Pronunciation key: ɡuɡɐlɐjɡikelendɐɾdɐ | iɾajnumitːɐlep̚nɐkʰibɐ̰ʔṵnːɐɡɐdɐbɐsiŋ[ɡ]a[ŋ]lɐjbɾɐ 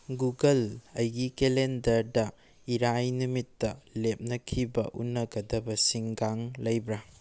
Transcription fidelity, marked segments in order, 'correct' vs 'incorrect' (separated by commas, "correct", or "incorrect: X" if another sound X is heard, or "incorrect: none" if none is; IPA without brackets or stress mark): correct, correct